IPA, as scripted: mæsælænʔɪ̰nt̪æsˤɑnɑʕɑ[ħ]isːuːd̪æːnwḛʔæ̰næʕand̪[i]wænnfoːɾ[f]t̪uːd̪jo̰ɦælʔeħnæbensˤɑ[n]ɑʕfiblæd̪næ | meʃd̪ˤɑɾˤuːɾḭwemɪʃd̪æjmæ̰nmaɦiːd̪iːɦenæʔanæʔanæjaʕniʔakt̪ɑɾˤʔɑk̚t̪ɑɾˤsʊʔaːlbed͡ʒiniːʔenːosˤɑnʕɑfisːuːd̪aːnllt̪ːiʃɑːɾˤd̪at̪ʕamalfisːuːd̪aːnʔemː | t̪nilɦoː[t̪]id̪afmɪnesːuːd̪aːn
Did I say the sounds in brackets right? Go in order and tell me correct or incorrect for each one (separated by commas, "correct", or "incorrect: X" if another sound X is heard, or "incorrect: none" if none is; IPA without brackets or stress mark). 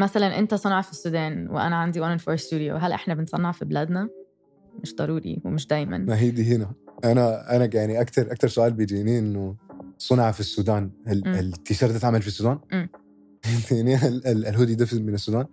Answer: incorrect: f, correct, incorrect: s, incorrect: nː, incorrect: d̪